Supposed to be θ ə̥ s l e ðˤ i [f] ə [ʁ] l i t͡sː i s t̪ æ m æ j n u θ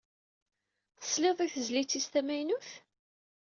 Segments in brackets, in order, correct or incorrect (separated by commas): incorrect, incorrect